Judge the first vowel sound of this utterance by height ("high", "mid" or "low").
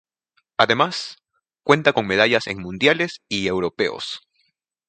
low